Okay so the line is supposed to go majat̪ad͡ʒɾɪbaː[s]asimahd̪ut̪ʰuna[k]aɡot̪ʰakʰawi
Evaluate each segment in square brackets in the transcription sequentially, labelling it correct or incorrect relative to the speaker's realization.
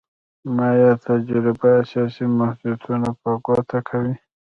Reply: correct, incorrect

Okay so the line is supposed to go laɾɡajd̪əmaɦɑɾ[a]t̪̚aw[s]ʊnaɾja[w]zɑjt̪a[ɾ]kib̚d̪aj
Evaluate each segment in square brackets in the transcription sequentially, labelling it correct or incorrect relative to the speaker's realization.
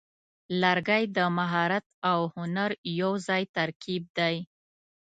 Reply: correct, incorrect, correct, correct

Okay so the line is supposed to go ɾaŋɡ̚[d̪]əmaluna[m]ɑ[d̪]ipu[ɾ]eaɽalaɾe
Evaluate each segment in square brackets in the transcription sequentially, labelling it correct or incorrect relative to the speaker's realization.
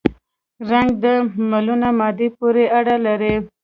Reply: correct, correct, correct, correct

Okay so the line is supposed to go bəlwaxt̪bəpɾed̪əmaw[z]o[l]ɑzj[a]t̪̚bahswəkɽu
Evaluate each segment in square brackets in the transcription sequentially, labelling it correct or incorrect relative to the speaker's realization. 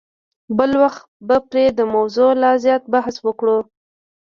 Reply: correct, correct, incorrect

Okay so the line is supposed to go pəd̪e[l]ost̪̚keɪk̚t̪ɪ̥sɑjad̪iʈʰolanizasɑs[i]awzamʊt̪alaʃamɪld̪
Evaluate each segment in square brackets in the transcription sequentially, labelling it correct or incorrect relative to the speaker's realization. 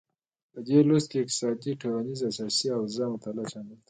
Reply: correct, correct

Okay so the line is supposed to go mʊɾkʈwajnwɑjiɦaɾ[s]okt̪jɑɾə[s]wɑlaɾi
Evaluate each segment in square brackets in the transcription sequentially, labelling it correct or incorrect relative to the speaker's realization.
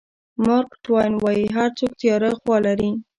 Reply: incorrect, incorrect

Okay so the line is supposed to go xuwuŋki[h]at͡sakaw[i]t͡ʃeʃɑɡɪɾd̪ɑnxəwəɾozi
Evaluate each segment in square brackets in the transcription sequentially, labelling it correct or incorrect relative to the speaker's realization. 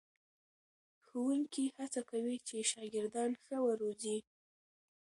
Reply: correct, correct

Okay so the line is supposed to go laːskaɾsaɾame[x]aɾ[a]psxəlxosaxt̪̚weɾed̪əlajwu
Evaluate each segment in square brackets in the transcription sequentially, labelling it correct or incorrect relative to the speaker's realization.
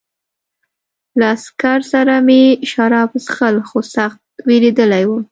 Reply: incorrect, incorrect

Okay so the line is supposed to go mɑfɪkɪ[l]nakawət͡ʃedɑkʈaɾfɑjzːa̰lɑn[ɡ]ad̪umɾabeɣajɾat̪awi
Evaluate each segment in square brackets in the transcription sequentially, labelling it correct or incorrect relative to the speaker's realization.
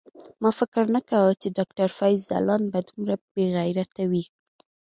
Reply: incorrect, incorrect

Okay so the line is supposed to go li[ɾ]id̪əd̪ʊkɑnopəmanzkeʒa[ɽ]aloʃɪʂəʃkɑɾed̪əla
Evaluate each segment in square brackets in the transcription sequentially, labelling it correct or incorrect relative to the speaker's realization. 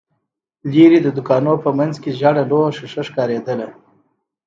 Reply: correct, correct

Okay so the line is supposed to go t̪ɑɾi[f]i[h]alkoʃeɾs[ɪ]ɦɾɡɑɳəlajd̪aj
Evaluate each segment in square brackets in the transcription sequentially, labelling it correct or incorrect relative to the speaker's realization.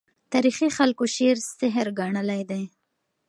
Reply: incorrect, incorrect, correct

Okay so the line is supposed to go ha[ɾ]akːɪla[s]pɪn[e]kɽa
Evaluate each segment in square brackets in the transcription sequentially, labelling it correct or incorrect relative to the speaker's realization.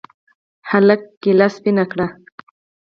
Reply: incorrect, correct, incorrect

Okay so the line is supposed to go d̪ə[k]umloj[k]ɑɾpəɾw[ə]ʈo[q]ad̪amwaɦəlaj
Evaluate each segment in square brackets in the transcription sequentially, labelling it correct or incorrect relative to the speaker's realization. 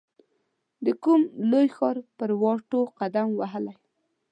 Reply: correct, incorrect, incorrect, correct

